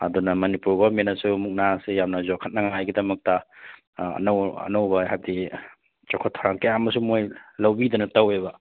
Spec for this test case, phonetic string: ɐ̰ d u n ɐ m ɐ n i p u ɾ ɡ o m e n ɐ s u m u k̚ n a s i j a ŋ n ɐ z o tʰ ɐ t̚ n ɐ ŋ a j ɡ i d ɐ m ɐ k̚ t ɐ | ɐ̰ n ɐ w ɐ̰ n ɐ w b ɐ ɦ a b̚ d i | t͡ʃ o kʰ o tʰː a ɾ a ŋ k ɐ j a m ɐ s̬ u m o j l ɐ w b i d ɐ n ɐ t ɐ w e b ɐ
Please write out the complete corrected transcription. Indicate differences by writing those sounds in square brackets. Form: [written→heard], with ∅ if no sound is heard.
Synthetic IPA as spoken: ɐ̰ d u n ɐ m ɐ n i p u ɾ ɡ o m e n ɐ s u m u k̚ n a s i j a [ŋ→m] n ɐ z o [tʰ→kʰ] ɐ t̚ n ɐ ŋ a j ɡ i d ɐ m ɐ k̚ t ɐ | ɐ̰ n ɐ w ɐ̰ n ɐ w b ɐ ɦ a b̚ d i | t͡ʃ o kʰ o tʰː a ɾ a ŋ k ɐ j a m ɐ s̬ u m o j l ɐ w b i d ɐ n ɐ t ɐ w e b ɐ